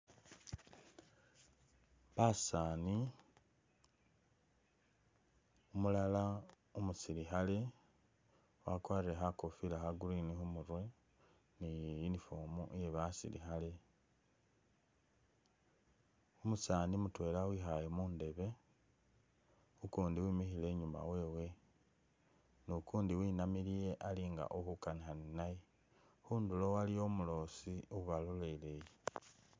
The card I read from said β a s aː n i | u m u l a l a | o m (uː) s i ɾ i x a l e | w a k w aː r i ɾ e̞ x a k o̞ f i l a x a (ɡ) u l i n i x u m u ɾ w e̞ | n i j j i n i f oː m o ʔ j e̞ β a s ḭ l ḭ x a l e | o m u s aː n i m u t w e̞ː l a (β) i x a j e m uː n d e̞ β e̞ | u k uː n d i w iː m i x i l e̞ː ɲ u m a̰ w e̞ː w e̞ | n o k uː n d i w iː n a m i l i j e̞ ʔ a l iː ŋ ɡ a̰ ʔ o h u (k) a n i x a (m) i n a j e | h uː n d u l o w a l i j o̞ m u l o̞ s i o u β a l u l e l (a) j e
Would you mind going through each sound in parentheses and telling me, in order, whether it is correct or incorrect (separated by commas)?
incorrect, correct, incorrect, correct, incorrect, incorrect